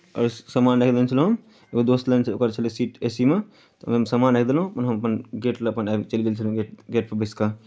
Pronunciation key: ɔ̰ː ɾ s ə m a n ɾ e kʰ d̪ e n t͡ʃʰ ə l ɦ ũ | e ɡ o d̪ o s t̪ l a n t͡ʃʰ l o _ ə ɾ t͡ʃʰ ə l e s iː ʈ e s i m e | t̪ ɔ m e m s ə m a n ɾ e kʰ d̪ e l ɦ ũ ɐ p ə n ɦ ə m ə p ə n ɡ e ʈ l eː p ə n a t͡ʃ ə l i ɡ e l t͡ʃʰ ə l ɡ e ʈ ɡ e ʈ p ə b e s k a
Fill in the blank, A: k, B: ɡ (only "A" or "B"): A